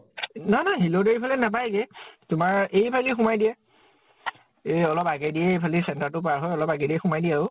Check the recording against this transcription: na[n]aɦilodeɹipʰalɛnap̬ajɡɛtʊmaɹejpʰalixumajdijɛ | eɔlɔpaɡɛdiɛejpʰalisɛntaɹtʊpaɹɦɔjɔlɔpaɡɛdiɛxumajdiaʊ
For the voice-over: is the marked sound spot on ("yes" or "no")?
yes